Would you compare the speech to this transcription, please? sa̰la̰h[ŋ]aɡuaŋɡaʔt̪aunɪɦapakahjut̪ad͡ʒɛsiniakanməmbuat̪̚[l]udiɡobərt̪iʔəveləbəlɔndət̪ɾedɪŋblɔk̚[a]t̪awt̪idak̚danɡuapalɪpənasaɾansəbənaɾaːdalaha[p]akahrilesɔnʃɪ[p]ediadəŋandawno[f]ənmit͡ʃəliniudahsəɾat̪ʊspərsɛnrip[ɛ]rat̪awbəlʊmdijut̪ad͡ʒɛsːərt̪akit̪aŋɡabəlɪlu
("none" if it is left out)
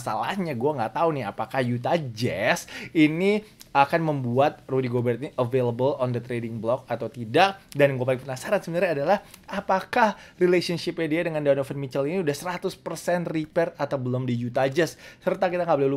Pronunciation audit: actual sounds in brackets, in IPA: ɲ, r, a, p, p, f, ɛ

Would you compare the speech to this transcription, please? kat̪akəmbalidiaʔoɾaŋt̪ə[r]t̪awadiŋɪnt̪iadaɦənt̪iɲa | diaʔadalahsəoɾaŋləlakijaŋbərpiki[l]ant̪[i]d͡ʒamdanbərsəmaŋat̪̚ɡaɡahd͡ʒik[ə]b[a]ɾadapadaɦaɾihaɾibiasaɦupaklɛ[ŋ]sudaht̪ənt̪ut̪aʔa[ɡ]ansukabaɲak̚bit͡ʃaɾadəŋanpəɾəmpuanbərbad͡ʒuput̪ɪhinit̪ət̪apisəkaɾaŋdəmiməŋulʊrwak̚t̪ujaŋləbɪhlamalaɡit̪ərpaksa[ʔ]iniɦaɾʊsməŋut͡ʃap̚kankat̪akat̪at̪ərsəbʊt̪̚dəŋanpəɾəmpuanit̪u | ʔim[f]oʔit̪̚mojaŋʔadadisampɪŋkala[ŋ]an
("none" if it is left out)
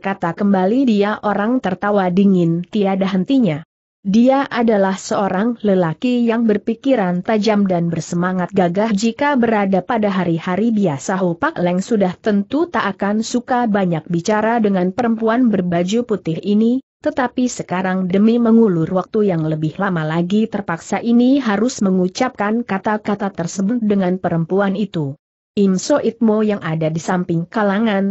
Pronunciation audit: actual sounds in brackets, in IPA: r, ɾ, a, a, ə, ŋ, k, ʔ, s, ŋ

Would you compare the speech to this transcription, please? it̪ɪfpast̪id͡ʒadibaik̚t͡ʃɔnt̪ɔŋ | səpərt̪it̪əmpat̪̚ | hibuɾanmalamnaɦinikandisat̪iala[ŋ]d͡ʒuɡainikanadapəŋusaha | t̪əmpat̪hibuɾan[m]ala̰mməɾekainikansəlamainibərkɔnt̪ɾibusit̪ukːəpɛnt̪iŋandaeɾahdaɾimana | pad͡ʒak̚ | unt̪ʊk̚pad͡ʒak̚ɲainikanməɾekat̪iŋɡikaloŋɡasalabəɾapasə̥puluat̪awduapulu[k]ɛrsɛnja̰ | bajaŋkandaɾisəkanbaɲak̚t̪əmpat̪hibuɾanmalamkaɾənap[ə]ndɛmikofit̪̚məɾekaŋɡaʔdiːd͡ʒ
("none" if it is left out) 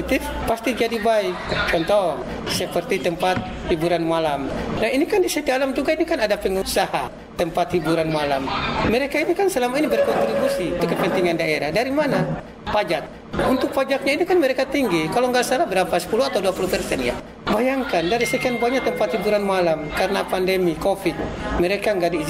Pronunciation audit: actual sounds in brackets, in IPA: m, m, p, a

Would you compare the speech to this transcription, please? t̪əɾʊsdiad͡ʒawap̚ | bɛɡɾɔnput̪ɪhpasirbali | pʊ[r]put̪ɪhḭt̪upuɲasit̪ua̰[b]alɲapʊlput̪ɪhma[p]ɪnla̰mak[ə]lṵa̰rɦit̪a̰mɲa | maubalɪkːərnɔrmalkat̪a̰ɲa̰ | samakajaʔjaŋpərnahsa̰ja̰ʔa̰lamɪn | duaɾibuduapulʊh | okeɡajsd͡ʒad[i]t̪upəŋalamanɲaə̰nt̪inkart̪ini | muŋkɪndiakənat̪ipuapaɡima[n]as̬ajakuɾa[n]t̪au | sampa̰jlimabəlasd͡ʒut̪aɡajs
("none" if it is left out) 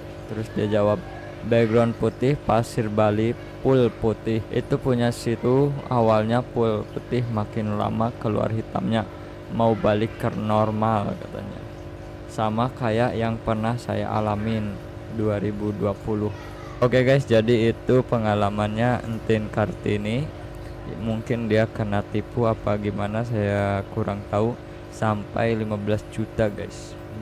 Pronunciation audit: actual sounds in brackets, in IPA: l, w, k, ə, iː, n, ŋ

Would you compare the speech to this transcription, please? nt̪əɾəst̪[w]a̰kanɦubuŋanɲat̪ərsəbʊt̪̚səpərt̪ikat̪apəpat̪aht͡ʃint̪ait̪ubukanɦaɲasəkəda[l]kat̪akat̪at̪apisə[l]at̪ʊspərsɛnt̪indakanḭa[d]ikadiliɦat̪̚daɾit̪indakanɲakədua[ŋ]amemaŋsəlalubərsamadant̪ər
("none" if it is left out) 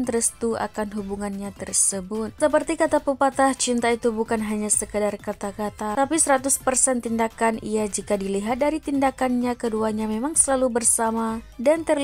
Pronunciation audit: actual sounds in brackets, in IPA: u, r, ɾ, d͡ʒ, ɲ

